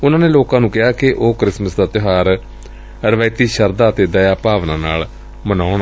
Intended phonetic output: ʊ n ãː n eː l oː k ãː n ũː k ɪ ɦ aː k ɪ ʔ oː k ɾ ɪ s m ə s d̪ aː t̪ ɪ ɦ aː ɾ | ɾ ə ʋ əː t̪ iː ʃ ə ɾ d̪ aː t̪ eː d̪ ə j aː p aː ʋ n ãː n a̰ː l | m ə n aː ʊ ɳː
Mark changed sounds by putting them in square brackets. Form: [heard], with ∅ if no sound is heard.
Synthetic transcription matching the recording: ʊ n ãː n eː l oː k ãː n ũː k ɪ ɦ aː k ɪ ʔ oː k ɾ ɪ s m ə s d̪ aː t̪ ɪ ɦ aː ɾ | ɾ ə ʋ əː t̪ iː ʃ ə ɾ d̪ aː t̪ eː d̪ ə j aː p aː ʋ n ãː n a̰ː l | m ə n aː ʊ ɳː